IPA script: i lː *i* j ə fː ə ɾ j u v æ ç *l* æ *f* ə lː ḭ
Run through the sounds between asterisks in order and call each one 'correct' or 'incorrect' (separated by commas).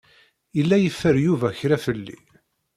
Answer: incorrect, incorrect, correct